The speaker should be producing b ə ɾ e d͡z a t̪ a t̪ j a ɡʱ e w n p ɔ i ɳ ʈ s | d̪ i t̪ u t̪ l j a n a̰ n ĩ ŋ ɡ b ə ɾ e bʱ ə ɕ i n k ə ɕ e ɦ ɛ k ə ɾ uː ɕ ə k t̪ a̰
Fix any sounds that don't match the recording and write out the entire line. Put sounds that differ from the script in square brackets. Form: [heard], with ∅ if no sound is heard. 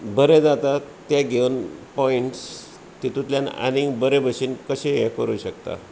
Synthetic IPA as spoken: b ə ɾ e d͡z a t̪ a t̪ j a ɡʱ e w n p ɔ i ɳ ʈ s | [t̪] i t̪ u t̪ l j a n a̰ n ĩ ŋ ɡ b ə ɾ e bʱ ə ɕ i n k ə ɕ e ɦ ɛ k ə ɾ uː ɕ ə k t̪ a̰